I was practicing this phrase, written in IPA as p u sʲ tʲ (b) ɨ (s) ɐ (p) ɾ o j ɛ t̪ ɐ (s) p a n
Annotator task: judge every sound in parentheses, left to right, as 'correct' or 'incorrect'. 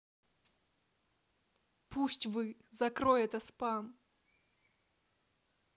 incorrect: v, incorrect: z, incorrect: k, correct

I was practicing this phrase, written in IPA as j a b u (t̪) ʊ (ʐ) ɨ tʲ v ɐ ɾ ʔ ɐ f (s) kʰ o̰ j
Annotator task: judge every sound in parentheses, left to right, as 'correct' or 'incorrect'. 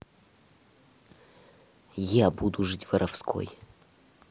incorrect: d̪, correct, correct

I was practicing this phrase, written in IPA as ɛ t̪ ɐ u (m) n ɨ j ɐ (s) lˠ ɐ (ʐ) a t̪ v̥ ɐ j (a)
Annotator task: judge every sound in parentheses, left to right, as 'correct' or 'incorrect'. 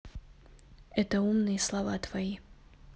correct, correct, incorrect: v, incorrect: i

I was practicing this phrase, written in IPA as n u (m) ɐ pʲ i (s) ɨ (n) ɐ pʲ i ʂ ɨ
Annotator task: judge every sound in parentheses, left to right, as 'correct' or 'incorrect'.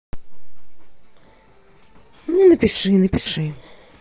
incorrect: n, incorrect: ʂ, correct

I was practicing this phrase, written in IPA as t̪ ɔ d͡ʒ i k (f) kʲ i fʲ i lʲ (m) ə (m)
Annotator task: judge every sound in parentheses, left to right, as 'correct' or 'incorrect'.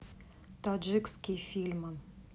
incorrect: s, correct, incorrect: n

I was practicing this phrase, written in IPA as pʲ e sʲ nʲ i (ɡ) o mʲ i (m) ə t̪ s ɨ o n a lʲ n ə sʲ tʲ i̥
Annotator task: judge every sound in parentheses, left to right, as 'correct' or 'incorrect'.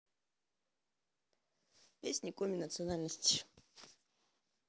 incorrect: k, incorrect: n

